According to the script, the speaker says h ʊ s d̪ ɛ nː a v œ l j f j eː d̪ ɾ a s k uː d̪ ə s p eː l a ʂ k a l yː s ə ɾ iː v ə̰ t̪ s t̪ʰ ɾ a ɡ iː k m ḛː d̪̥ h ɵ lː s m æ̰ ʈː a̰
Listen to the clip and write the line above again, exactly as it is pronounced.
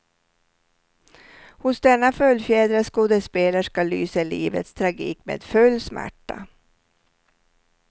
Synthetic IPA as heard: h ʊ s d̪ ɛ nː a f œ l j f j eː d̪ ɾ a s k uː d̪ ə s p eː l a ʂ k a l yː s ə l iː v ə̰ t̪ s t̪ʰ ɾ a ɡ iː k m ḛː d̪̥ f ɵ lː s m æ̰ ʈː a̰